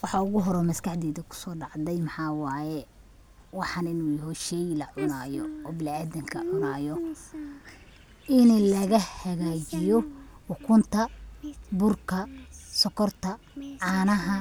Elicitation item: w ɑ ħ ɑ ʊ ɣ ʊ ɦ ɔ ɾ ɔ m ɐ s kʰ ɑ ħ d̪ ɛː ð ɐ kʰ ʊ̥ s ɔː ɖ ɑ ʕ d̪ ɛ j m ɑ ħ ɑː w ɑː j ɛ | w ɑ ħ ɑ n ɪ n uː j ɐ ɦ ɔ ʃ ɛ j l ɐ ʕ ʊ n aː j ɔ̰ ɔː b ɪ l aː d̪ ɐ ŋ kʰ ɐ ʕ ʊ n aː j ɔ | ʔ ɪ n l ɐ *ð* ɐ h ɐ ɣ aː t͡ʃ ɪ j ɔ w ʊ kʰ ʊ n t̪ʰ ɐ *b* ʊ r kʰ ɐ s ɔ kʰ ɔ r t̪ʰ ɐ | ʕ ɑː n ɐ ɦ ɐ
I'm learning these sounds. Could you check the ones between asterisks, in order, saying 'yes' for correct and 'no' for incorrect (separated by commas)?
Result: no, yes